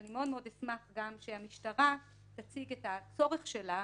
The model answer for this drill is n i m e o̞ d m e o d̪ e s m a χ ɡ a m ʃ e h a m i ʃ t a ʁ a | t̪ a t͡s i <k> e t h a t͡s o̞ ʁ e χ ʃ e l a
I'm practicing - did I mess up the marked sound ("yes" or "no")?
yes